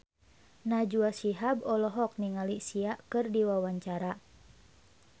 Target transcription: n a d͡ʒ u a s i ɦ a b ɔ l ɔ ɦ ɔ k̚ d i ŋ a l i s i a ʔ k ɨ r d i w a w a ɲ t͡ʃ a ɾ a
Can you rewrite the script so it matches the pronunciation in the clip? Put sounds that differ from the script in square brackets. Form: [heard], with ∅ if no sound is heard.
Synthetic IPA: n a d͡ʒ u a s i ɦ a b ɔ l ɔ ɦ ɔ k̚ [n] i ŋ a l i s i a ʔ k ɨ r d i w a w a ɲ t͡ʃ a ɾ a